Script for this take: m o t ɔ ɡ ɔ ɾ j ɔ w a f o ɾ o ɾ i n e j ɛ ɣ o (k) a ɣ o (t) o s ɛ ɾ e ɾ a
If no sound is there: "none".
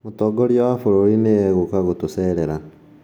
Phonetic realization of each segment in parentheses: k, t

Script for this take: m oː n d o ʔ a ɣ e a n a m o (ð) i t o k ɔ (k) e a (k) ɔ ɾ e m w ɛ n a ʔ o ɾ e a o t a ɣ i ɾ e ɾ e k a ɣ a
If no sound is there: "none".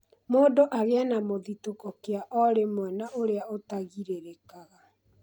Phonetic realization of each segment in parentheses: ð, k, ʔ

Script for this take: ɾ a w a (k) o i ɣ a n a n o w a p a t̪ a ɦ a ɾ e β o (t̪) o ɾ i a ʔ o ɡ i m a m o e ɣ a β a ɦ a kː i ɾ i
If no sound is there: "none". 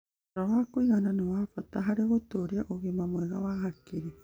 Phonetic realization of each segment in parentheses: k, t̪

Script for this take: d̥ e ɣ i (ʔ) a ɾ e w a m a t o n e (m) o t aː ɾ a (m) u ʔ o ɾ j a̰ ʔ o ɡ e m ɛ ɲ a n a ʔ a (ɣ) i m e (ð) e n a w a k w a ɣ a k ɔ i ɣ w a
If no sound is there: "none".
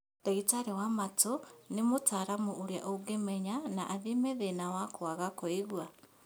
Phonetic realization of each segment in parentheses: t, m, m, ð, ð

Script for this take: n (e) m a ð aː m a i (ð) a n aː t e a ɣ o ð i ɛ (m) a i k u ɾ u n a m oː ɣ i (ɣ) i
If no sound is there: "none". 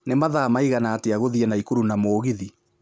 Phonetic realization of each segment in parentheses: e, ɣ, n, ð

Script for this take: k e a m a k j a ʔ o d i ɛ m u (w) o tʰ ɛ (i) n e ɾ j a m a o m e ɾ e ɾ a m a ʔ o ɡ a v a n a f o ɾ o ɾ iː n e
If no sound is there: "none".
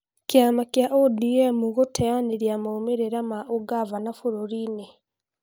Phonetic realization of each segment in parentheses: ɣ, a

